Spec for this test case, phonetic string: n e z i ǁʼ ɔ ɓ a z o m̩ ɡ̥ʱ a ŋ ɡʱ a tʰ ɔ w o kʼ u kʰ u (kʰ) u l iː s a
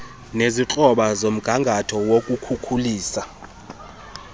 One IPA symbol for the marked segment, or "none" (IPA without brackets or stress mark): kʰ